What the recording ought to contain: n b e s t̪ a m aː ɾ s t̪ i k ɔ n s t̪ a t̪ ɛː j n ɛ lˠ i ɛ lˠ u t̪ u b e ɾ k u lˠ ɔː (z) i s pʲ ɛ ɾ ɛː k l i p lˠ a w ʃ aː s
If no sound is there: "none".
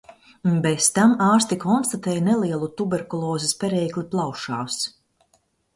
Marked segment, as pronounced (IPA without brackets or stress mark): z